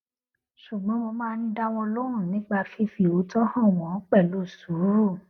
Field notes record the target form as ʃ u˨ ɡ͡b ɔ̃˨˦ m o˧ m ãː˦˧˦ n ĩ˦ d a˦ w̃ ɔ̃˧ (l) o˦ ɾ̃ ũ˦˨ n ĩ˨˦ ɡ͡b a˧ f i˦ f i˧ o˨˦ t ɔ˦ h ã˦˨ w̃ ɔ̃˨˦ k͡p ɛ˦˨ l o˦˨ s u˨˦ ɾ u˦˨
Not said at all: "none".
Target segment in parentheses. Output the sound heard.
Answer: l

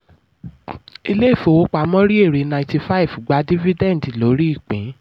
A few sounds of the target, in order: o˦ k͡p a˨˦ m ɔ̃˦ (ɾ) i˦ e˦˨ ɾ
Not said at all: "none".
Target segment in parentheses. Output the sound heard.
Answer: ɾ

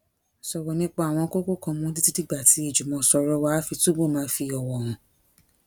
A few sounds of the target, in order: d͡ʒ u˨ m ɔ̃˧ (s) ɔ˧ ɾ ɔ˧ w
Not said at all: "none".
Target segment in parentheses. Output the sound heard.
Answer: s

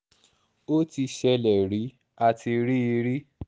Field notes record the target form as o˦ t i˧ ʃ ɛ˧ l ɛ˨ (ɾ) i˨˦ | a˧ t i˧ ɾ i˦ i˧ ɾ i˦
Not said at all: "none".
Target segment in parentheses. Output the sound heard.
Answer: ɾ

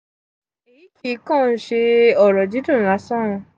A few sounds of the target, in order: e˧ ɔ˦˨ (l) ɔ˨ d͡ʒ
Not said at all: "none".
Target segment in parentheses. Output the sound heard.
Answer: ɾ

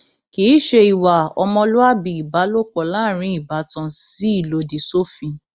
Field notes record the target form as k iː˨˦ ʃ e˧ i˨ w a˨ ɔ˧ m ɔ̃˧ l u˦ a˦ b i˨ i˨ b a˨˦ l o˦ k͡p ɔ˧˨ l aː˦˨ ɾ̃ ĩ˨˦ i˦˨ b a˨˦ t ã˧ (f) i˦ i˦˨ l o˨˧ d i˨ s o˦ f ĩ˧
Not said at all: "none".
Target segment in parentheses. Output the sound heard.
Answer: s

